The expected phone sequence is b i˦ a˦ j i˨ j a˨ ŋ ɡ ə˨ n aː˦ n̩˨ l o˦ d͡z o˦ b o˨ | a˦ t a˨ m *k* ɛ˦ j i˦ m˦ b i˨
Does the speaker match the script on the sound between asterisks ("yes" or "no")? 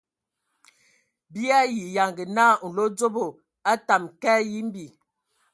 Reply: yes